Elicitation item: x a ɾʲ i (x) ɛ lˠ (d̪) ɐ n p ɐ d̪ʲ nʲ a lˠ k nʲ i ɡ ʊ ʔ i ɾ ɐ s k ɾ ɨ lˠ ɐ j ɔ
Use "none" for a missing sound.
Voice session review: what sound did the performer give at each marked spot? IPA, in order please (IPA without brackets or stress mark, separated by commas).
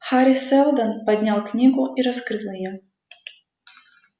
s, d̪